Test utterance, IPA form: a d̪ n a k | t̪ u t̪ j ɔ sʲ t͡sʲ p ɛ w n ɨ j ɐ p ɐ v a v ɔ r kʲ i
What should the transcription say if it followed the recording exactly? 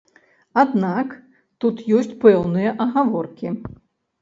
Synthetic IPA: a d̪ n a k | t̪ u t̪ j ɔ sʲ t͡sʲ p ɛ w n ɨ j ɐ ʔ ɐ ɣ a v ɔ r kʲ i